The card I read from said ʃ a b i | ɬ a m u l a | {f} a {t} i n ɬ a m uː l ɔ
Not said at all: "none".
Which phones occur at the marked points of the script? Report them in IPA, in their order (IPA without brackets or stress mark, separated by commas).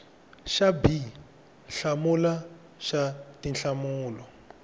ʃ, t